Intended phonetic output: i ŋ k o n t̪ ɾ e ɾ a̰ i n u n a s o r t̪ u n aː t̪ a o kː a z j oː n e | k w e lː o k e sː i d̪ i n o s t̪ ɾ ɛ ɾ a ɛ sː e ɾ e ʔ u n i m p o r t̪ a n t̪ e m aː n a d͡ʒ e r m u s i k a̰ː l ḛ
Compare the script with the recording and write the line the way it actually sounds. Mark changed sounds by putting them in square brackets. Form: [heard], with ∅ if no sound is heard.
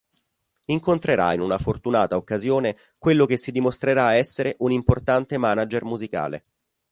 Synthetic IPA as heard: i ŋ k o n t̪ ɾ e ɾ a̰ i n u n a [f] o r t̪ u n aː t̪ a o kː a z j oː n e | k w e lː o k e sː i d̪ i [m] o s t̪ ɾ [e] ɾ a ɛ sː e ɾ e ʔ u n i m p o r t̪ a n t̪ e m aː n a d͡ʒ e r m u [z] i k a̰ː l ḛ